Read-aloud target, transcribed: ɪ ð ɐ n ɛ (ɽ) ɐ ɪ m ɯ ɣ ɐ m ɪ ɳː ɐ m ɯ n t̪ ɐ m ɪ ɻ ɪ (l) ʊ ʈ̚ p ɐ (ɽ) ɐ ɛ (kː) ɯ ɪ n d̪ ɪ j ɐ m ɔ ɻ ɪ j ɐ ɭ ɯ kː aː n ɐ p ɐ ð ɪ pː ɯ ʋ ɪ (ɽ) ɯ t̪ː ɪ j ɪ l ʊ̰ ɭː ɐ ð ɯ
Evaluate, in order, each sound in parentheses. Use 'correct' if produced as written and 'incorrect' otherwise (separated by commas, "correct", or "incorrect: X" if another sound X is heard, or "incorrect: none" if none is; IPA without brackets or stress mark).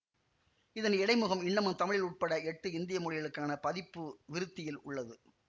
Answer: correct, correct, correct, incorrect: ʈː, incorrect: ɾ